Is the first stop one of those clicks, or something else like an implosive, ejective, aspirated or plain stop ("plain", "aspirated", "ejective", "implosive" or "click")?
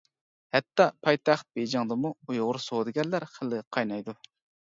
plain